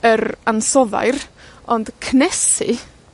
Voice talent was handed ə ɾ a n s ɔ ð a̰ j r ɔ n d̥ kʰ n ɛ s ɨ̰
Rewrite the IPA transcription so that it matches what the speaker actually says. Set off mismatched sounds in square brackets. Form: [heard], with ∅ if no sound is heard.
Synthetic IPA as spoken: ə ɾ a n s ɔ ð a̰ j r ɔ n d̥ kʰ n ɛ s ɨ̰